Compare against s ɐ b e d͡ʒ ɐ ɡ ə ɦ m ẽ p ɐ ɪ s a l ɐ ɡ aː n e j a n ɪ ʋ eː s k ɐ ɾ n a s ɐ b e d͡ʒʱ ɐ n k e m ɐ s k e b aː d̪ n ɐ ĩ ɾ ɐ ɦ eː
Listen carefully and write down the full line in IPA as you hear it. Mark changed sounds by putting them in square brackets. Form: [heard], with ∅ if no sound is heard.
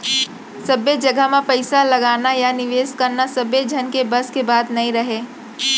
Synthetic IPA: s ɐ b e d͡ʒ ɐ ɡ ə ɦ m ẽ p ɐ ɪ s a l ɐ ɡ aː n [a] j a n ɪ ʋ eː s k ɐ ɾ n a s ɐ b e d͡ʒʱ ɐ n k e [b] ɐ s k e b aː d̪ n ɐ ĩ ɾ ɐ ɦ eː